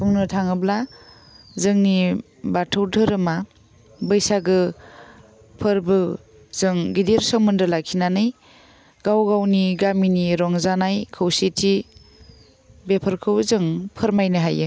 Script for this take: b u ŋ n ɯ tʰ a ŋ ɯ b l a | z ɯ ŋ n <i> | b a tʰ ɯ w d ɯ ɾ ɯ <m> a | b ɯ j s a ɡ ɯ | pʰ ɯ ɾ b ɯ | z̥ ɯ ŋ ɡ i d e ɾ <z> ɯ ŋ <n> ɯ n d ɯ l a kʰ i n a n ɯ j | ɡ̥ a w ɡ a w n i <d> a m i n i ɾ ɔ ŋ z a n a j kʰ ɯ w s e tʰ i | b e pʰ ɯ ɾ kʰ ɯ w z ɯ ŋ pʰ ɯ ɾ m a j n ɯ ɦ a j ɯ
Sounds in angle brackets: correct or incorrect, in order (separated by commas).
correct, correct, incorrect, incorrect, incorrect